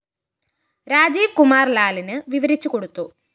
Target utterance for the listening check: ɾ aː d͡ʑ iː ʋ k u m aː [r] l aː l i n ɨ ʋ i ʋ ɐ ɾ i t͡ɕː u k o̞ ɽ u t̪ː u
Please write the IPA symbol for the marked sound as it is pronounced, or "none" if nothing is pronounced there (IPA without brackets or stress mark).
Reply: r